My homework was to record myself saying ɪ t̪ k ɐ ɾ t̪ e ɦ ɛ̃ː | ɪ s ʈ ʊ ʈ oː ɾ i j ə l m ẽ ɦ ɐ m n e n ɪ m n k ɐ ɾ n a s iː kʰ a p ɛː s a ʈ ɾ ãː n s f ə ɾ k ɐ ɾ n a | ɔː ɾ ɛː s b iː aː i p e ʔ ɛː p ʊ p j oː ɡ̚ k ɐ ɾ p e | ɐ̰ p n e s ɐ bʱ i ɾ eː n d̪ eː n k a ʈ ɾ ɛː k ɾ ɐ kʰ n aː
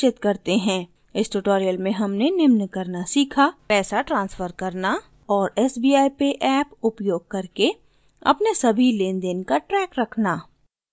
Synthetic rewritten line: ɪ t̪ k ɐ ɾ t̪ e ɦ ɛ̃ː | ɪ s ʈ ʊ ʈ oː ɾ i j ə l m ẽ ɦ ɐ m n e n ɪ m n k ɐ ɾ n a s iː kʰ a p ɛː s a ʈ ɾ ãː n s f ə ɾ k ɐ ɾ n a | ɔː ɾ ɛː s b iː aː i p e ʔ ɛː p ʊ p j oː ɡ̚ k ɐ ɾ k e | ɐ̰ p n e s ɐ bʱ i l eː n d̪ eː n k a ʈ ɾ ɛː k ɾ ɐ kʰ n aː